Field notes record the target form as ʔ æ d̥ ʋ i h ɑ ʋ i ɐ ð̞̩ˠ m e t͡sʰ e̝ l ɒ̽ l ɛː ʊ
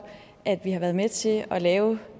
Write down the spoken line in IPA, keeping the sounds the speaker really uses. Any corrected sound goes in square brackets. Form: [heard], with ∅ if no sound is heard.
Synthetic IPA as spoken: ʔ æ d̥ ʋ i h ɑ ʋ [æ] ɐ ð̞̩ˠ m e t͡sʰ e̝ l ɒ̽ l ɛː ʊ